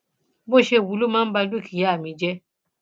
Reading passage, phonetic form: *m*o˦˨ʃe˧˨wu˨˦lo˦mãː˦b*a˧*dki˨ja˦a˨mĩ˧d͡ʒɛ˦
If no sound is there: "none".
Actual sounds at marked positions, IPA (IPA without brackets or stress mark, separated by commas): b, a˧